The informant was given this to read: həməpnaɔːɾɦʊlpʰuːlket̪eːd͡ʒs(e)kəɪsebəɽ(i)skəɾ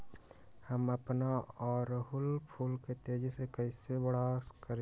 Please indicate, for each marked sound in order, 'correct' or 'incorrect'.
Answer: correct, incorrect: a

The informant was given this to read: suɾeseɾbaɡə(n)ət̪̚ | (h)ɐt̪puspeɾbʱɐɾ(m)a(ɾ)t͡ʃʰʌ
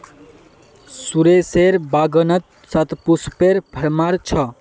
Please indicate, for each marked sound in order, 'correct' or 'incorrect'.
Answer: correct, incorrect: s, correct, correct

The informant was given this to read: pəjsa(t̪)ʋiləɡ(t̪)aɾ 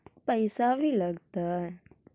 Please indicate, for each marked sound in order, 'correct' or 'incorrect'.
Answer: incorrect: none, correct

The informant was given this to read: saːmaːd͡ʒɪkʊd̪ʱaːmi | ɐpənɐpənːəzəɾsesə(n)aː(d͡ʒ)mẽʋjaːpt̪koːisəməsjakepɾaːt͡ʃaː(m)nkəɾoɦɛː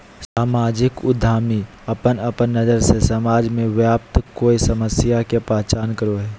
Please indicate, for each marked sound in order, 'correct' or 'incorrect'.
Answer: incorrect: m, correct, incorrect: none

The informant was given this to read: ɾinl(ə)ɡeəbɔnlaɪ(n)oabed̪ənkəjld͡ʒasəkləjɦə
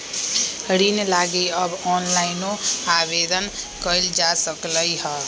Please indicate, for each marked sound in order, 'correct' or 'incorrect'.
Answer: incorrect: a, correct

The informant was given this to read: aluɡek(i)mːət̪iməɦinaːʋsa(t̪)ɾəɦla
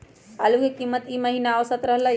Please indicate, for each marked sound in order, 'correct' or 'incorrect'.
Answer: correct, correct

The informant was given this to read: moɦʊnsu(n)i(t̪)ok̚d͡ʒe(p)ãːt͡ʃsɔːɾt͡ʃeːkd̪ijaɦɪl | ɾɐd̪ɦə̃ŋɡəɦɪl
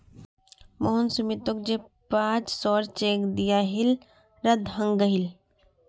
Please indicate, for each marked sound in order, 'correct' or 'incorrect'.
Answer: incorrect: m, correct, correct

